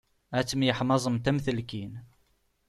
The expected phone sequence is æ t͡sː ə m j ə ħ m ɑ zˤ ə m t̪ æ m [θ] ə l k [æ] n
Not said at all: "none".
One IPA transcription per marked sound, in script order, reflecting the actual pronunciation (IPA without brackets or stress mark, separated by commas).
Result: θ, i